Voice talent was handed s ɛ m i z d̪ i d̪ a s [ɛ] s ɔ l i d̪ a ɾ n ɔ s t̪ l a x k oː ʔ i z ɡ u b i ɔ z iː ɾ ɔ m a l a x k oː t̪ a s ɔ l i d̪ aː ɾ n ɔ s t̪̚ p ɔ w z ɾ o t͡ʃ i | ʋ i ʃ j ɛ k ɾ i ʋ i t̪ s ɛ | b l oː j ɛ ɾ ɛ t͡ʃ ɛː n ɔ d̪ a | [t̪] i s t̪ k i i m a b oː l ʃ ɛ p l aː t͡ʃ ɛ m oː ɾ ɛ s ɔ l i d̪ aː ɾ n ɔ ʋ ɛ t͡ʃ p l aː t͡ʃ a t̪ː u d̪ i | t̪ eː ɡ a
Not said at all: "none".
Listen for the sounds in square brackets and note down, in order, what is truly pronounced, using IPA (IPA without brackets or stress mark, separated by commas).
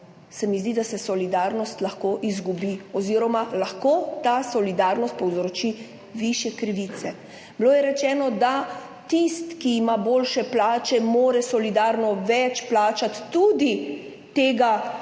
ɛ, t̪